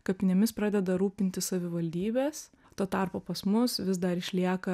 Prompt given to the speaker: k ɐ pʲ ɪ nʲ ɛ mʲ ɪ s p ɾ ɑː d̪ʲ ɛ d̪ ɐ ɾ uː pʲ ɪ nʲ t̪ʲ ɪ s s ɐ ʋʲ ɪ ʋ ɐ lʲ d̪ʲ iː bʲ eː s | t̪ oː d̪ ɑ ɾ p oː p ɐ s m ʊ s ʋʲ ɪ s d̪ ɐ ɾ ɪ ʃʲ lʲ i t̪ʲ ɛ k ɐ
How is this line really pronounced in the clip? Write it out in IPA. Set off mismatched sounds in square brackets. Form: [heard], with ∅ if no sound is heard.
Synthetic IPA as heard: k ɐ pʲ ɪ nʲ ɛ mʲ ɪ s p ɾ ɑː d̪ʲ ɛ d̪ ɐ ɾ uː pʲ ɪ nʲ t̪ʲ ɪ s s ɐ ʋʲ ɪ ʋ ɐ lʲ d̪ʲ iː bʲ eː s | t̪ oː [t̪] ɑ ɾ p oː p ɐ s m ʊ s ʋʲ ɪ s d̪ ɐ ɾ ɪ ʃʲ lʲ i [∅] ɛ k ɐ